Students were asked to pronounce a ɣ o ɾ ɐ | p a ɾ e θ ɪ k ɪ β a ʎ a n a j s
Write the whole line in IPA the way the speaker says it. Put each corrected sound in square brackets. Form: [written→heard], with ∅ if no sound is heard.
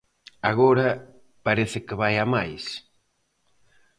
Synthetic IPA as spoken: a ɣ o ɾ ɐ | p a ɾ e θ ɪ k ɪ β a [ʎ→j] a [n→m] a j s